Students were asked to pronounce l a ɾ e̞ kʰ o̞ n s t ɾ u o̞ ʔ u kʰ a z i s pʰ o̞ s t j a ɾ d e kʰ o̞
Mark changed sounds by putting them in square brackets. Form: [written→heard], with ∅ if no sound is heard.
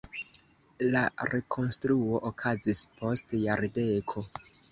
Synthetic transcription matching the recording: l a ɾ e̞ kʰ o̞ n s t ɾ u o̞ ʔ [u→o] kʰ a z i s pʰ o̞ s t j a ɾ d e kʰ o̞